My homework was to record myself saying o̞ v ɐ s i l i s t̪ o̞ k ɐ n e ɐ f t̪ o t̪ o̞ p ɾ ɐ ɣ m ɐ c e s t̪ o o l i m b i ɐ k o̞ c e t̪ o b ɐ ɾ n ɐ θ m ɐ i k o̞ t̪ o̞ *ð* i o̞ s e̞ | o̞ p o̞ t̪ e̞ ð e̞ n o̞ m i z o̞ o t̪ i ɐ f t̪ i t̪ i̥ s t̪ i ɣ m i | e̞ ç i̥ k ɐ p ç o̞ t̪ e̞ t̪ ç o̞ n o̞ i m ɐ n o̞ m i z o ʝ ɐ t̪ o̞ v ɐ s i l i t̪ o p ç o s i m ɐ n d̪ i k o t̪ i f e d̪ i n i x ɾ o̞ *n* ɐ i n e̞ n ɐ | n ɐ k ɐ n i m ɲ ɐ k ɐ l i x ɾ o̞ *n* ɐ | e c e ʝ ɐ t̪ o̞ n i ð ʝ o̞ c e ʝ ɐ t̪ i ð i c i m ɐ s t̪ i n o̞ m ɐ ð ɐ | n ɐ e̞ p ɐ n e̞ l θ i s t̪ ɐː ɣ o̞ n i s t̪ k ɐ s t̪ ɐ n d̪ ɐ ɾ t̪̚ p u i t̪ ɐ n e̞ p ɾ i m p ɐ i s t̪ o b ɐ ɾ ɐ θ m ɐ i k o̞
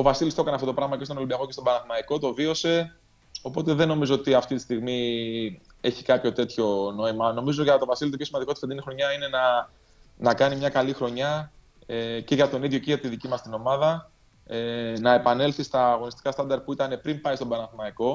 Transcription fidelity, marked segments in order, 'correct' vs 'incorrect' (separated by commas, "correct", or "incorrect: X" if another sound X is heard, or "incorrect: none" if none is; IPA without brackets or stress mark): incorrect: v, incorrect: ɲ, incorrect: ɲ